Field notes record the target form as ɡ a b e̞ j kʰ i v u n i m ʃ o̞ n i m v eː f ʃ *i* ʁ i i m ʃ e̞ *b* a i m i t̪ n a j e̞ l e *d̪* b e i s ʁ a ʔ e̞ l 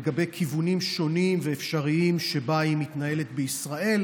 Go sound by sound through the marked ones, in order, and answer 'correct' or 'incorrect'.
incorrect: a, correct, incorrect: t̪

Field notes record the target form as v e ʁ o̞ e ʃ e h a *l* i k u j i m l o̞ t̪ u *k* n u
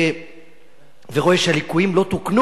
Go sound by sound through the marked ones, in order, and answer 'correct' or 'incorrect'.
correct, correct

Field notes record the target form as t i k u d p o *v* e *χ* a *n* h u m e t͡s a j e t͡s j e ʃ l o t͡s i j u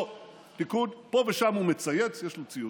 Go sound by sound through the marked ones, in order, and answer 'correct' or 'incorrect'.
correct, incorrect: ʃ, incorrect: m

